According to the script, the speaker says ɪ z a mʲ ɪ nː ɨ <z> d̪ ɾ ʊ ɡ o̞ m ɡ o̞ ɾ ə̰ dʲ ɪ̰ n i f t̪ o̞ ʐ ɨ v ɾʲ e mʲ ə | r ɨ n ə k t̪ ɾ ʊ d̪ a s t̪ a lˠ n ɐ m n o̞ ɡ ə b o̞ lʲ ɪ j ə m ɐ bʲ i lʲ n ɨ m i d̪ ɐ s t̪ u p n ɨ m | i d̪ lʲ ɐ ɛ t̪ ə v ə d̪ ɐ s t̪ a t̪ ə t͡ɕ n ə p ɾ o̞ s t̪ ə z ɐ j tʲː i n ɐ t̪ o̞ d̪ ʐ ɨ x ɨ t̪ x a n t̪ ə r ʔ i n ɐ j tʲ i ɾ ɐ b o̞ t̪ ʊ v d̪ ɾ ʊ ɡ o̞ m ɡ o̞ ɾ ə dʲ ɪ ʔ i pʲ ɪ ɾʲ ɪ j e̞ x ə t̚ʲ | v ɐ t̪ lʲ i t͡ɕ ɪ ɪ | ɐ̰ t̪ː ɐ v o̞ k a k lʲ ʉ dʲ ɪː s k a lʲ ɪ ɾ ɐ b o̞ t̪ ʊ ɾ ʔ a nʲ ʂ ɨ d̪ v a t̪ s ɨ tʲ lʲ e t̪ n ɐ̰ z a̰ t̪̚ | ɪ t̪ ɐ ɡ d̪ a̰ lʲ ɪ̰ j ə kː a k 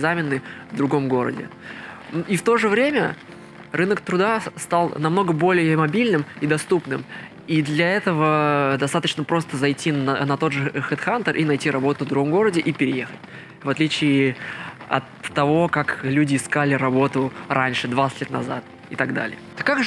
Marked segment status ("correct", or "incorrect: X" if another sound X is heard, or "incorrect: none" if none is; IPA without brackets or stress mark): incorrect: v